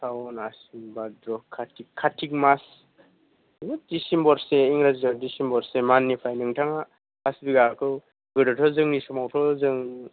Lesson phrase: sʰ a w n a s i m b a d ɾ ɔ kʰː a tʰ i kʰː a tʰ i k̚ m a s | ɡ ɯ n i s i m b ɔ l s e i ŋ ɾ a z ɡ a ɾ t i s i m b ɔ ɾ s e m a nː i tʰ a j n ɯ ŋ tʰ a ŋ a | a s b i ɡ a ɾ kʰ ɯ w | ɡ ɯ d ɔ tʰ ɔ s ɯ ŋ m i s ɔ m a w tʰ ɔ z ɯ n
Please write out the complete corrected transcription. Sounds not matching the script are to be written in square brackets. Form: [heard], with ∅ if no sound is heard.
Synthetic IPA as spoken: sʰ a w n a s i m b a d ɾ ɔ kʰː a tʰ i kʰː a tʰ i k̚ m a s | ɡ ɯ [d] i s i m b ɔ [ɾ] s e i ŋ ɾ a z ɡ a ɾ [d] i s i m b ɔ ɾ s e m a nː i [pʰ] a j n ɯ ŋ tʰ a ŋ a | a s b i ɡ a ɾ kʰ ɯ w | ɡ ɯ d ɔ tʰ ɔ [z] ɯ ŋ [n] i s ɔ m a w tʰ ɔ z ɯ [ŋ]